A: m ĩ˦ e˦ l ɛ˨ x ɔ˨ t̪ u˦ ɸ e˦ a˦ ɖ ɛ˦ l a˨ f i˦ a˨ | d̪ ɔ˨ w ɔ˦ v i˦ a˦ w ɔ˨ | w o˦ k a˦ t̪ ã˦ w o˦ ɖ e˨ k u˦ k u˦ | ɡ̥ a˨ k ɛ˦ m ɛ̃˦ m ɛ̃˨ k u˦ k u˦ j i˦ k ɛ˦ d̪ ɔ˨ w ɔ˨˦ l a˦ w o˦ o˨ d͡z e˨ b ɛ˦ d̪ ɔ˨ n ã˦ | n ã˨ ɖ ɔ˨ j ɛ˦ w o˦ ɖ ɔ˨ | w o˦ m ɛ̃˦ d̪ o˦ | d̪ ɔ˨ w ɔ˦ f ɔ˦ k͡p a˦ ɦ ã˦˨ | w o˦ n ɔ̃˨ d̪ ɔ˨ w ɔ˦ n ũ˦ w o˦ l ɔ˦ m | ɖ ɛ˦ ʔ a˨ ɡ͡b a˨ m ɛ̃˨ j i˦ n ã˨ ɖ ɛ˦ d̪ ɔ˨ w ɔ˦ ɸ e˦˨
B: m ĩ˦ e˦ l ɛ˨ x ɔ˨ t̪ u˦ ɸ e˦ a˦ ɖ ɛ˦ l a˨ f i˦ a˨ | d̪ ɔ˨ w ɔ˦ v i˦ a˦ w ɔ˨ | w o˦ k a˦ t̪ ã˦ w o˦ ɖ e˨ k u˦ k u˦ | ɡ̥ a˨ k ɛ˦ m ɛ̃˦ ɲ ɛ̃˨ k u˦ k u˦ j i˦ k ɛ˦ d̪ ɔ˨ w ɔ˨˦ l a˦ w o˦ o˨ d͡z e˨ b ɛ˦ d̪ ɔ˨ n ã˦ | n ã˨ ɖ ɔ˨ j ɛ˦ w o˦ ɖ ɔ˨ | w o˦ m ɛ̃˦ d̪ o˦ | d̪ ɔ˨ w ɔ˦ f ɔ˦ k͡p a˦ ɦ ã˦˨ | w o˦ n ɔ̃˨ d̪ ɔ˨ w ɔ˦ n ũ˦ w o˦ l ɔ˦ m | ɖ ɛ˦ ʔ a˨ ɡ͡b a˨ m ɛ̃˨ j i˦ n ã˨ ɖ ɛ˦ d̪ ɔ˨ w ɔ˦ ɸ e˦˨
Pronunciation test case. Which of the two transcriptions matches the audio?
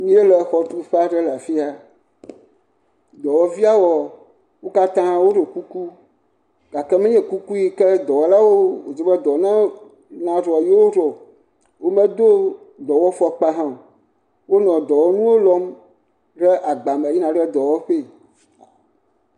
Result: B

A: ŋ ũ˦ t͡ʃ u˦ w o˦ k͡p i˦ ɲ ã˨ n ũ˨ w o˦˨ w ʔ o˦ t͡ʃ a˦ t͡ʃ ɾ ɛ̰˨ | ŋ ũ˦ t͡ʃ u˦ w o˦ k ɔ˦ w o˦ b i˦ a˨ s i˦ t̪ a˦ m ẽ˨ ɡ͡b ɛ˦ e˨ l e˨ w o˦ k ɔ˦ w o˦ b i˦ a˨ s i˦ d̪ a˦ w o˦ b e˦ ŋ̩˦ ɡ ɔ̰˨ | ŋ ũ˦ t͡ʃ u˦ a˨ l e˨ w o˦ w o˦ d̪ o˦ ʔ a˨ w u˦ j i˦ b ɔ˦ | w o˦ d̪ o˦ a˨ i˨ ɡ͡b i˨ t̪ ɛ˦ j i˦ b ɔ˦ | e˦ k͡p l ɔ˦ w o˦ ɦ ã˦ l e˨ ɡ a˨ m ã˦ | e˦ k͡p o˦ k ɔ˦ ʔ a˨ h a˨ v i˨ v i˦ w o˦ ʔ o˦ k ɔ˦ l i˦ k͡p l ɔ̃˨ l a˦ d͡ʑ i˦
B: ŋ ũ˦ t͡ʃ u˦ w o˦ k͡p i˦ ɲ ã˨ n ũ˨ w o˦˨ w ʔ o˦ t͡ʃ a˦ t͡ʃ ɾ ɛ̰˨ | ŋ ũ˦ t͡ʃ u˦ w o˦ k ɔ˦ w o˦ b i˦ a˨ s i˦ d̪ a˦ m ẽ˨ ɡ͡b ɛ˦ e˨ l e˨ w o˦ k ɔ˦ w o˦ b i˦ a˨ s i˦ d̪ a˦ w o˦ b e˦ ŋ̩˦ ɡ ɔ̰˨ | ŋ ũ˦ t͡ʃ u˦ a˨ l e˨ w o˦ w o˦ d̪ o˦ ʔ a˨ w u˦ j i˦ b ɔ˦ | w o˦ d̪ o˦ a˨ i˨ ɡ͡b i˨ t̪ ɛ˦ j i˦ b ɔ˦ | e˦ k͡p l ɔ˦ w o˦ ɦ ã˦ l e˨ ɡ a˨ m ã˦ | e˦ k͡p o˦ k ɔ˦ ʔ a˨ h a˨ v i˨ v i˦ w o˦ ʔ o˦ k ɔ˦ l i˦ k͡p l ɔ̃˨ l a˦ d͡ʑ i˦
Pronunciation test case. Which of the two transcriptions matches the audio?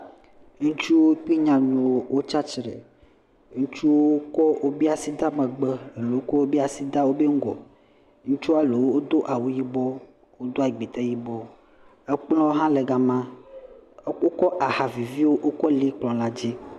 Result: B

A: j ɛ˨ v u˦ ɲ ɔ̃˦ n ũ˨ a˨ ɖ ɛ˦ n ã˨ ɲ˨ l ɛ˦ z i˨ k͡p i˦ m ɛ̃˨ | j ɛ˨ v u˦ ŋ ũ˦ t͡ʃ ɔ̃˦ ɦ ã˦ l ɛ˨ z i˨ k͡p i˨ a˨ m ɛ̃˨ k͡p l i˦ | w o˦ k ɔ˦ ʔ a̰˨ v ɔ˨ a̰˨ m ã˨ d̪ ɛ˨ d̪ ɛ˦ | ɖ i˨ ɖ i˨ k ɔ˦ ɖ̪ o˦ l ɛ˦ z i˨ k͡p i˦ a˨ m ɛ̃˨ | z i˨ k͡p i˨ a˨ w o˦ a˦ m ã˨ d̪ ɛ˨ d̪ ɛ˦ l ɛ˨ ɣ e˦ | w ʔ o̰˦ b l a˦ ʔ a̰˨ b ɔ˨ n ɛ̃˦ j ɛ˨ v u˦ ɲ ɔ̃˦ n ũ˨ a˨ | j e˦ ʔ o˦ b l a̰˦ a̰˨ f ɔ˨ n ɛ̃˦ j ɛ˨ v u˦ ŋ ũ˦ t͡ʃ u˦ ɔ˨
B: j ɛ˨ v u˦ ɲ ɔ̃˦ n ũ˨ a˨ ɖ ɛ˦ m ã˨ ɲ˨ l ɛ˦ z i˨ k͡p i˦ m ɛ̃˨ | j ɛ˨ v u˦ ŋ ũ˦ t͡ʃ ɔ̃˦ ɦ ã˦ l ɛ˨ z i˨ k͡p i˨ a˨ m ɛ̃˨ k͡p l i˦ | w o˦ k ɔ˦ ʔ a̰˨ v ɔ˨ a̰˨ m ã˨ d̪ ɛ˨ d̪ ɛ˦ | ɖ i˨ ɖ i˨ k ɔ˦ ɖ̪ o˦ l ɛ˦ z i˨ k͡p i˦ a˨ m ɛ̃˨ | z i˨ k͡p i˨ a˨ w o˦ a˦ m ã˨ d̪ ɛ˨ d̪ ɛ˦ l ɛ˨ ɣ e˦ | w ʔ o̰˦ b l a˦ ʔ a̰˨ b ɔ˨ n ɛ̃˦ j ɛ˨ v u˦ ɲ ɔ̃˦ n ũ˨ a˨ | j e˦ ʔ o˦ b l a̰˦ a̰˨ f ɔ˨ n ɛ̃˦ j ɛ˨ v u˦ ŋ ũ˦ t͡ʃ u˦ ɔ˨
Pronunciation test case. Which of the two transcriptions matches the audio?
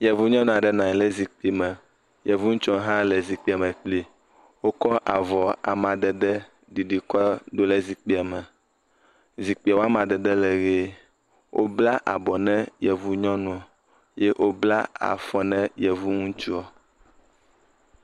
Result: A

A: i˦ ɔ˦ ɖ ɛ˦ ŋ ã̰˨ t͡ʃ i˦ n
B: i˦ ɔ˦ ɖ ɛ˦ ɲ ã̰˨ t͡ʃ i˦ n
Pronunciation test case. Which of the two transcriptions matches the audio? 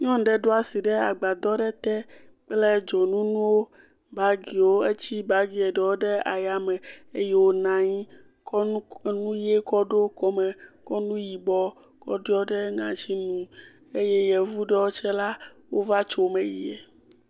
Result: A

